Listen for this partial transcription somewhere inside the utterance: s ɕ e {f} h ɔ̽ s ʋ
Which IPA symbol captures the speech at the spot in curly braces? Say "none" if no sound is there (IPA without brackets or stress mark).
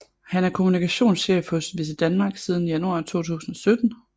f